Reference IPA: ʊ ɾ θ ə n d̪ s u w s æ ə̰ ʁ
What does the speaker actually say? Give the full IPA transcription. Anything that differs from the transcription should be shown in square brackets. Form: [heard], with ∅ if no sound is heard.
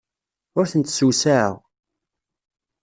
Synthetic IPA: ʊ ɾ θ ə n [t̪] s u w s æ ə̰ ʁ